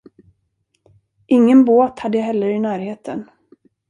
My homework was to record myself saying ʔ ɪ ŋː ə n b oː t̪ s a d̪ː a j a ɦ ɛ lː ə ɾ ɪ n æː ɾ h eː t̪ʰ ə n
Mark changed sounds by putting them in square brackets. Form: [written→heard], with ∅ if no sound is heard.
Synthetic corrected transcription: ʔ ɪ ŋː ə n b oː t̪ [s→h] a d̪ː [a→ə] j a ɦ ɛ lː ə ɾ ɪ n æː ɾ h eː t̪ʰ ə n